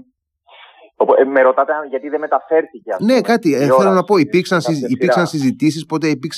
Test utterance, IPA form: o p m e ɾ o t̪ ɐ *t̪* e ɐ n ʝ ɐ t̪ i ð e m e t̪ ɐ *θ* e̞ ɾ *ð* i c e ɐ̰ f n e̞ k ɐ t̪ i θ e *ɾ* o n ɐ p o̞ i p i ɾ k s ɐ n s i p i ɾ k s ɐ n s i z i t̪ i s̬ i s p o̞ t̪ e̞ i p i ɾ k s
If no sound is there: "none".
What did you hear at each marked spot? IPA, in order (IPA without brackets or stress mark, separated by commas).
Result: t̪, f, θ, l